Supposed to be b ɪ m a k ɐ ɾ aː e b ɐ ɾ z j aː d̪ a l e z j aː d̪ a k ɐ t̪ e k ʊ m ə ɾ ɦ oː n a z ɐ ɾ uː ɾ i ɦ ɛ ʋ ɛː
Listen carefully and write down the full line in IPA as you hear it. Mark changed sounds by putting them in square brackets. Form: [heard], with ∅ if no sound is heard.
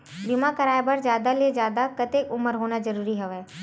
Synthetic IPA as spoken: b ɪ m a k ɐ ɾ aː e b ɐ ɾ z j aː d̪ a l e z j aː d̪ a k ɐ t̪ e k ʊ m ə ɾ ɦ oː n a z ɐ ɾ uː ɾ i ɦ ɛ ʋ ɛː

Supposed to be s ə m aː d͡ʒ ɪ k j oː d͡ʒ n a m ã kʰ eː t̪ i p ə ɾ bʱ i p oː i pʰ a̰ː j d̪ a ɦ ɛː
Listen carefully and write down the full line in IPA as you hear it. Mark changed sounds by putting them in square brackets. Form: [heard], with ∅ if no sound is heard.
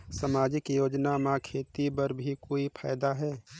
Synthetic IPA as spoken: s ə m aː d͡ʒ ɪ k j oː d͡ʒ n a m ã kʰ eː t̪ i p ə ɾ bʱ i [k] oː i pʰ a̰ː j d̪ a ɦ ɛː

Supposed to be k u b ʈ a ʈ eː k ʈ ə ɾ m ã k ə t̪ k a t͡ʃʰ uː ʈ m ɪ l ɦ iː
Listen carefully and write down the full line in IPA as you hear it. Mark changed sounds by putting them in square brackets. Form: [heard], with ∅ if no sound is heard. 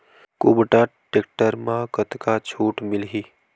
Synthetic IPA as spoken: k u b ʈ a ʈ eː k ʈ ə ɾ m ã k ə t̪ k a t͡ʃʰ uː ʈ m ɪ l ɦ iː

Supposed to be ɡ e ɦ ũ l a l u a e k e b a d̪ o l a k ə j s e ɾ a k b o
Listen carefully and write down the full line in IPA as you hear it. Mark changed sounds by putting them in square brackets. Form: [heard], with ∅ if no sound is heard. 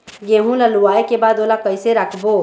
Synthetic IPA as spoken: ɡ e ɦ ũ l a l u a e k e b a d̪ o l a k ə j s e ɾ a [kʰ] b o

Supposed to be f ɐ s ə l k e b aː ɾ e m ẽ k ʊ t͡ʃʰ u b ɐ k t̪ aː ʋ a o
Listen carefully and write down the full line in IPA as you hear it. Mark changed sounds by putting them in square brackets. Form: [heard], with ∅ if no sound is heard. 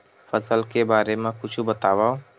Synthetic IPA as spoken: f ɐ s ə l k e b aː ɾ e m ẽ k ʊ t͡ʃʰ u b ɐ [∅] t̪ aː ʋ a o

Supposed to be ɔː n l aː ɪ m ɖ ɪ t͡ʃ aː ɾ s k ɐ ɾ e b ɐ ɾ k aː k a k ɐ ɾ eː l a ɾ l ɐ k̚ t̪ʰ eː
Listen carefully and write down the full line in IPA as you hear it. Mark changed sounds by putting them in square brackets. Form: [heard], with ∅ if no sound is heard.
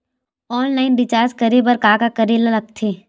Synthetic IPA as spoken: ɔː n l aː ɪ [n] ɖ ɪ t͡ʃ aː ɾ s k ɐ ɾ e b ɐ ɾ k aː k a k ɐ ɾ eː l a [∅] l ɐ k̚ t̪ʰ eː

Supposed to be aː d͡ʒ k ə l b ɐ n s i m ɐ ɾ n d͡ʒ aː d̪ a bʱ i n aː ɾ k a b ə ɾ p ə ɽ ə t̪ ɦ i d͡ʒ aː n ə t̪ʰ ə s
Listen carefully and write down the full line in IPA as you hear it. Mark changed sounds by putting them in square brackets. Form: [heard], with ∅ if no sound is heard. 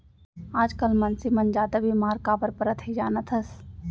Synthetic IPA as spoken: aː d͡ʒ k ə l [m] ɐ n s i m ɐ [∅] n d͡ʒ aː d̪ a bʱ i [m] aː ɾ k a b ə ɾ p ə [ɾ] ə t̪ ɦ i d͡ʒ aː n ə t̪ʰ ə s

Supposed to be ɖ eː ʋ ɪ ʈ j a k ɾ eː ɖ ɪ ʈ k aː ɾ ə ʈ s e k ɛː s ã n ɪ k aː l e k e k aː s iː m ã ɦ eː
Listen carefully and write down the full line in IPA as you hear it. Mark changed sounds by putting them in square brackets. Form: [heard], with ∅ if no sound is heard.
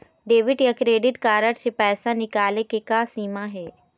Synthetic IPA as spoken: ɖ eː ʋ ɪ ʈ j a k ɾ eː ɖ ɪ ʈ k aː ɾ ə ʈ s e [p] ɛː s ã n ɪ k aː l e k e k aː s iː m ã ɦ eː

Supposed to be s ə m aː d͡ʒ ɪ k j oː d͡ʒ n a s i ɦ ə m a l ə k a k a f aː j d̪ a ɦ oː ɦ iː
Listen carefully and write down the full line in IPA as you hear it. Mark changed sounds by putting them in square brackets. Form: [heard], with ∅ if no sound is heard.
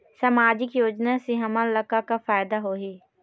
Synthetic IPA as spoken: s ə m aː d͡ʒ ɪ k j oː d͡ʒ n a s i ɦ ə m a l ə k a k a f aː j d̪ a ɦ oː ɦ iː

